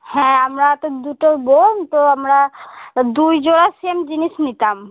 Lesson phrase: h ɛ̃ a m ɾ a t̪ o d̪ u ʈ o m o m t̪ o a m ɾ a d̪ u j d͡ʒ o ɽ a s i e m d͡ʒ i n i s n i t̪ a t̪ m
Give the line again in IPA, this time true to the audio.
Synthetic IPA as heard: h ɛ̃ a m ɾ a t̪ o d̪ u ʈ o b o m t̪ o a m ɾ a d̪ u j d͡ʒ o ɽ a s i e m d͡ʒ i n i s n i t̪ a m